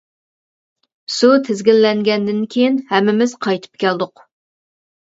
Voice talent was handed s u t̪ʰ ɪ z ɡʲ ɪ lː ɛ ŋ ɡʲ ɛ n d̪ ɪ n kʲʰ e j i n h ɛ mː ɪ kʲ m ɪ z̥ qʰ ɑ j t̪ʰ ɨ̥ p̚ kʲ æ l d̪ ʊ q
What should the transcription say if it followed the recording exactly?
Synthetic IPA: s u t̪ʰ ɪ z ɡʲ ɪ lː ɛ ŋ ɡʲ ɛ n d̪ ɪ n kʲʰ e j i n h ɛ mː ɪ m ɪ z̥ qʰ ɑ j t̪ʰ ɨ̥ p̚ kʲ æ l d̪ ʊ q